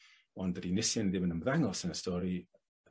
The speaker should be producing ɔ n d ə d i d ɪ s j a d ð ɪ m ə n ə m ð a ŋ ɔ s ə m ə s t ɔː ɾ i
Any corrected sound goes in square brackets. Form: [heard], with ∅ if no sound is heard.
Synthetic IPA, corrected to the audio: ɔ n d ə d i [n] ɪ s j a [n] ð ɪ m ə n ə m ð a ŋ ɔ s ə [n] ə s t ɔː ɾ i